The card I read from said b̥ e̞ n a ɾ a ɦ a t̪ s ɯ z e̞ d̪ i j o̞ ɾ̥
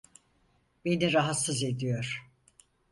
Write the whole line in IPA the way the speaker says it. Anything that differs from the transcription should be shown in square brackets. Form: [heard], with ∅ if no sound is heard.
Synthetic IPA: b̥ e̞ n [i] ɾ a ɦ a t̪ s ɯ z e̞ d̪ i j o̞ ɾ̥